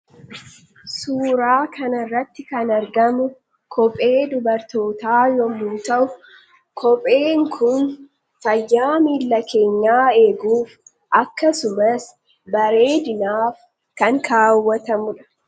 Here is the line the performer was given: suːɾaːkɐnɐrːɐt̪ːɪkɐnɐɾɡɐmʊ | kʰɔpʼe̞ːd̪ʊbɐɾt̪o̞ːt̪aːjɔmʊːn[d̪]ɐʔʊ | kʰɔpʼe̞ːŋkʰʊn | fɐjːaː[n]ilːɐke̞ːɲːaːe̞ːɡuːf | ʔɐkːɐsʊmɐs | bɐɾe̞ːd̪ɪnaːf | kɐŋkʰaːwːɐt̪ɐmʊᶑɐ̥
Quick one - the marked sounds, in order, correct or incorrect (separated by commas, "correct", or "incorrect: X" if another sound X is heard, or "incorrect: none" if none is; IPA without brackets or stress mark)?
incorrect: t̪, incorrect: m